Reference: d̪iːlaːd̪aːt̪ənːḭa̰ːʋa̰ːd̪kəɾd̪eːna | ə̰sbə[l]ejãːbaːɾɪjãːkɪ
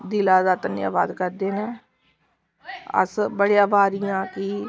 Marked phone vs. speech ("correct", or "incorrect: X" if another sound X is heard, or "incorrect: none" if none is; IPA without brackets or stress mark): incorrect: ɽ